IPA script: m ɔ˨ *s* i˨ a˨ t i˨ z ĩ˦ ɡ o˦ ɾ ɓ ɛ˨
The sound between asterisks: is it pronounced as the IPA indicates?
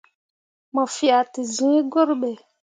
no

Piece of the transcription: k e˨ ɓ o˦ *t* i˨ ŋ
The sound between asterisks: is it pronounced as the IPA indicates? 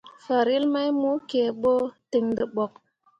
yes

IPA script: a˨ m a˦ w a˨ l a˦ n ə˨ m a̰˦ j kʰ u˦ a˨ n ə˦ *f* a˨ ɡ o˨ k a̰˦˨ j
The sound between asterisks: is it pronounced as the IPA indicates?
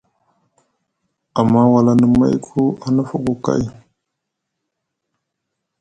yes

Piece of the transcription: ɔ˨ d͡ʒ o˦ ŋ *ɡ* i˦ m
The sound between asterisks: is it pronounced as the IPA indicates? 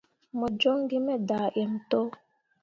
yes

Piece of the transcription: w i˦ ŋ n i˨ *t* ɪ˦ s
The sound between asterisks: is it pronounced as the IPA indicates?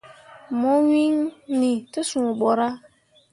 yes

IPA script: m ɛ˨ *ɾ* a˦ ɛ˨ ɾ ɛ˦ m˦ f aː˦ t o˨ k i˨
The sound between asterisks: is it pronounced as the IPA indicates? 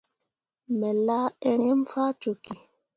no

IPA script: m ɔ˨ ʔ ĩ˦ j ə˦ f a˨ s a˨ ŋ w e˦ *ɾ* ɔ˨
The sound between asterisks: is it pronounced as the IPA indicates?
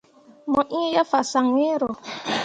yes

